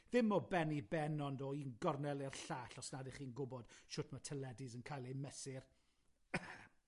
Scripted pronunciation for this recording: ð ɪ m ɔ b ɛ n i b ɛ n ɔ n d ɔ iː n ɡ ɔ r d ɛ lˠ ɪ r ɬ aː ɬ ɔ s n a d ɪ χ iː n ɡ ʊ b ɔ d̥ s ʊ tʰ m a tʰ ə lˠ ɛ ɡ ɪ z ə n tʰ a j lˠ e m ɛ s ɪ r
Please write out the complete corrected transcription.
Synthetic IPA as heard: ð ɪ m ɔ b ɛ n i b ɛ n ɔ n d ɔ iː n ɡ ɔ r n ɛ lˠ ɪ r ɬ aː ɬ ɔ s n a d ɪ χ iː n ɡ ʊ b ɔ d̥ ʃ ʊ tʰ m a tʰ ə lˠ ɛ d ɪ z ə n kʰ a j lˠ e m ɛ s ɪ r

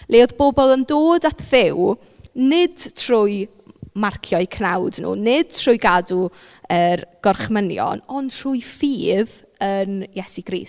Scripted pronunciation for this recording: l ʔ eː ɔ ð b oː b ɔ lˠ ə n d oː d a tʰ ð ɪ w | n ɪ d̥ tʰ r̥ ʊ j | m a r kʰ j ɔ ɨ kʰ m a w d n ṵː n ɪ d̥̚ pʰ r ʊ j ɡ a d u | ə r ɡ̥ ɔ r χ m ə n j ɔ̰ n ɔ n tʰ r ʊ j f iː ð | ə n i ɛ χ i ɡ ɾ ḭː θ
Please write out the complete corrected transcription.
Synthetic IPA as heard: l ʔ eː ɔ ð b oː b ɔ lˠ ə n d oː d a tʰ ð ɪ w | n ɪ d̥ tʰ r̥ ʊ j | m a r kʰ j ɔ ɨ kʰ n a w d n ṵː n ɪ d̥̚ tʰ r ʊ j ɡ a d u | ə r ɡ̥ ɔ r χ m ə n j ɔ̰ n ɔ n tʰ r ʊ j f iː ð | ə n j ɛ s i ɡ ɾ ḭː s

